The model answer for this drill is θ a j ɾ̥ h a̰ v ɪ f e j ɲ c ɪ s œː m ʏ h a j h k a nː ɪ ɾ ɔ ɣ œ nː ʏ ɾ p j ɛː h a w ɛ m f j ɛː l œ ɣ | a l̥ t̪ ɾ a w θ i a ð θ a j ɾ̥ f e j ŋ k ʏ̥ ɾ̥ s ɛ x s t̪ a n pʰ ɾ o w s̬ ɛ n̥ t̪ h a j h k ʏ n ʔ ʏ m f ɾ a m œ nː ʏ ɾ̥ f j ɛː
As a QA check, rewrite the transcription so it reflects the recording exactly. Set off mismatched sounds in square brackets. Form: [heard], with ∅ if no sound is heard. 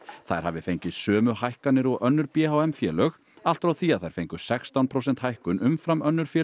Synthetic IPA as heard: θ a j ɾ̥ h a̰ v ɪ f e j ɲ c ɪ s œː m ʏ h a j h k a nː ɪ ɾ ɔ ɣ œ nː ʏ ɾ p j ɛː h a w ɛ m f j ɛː l œ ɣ | a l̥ t̪ ɾ a w θ i a ð θ a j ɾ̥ f e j ŋ k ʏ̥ [∅] s ɛ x s t̪ a n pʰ ɾ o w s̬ ɛ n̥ t̪ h a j h k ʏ n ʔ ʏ m f ɾ a m œ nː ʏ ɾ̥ f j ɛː